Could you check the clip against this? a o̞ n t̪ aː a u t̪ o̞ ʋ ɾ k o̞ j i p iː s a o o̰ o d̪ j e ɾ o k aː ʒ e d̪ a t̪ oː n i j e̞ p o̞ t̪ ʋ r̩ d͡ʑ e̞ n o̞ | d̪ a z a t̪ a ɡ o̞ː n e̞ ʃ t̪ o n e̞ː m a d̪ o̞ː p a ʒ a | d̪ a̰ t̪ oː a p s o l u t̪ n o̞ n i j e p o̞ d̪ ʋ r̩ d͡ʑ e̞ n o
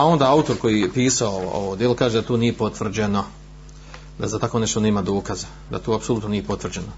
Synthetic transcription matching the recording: a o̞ n d̪ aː a u t̪ o̞ ɾ k o̞ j i p iː s a o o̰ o d̪ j e l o k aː ʒ e d̪ a t̪ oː n i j e̞ p o̞ t̪ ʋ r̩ d͡ʑ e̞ n o̞ | d̪ a z a t̪ a k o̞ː n e̞ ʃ t̪ o n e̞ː m a d̪ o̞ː k a z a | d̪ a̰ t̪ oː a p s o l u t̪ n o̞ n i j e p o̞ t̪ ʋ r̩ d͡ʑ e̞ n o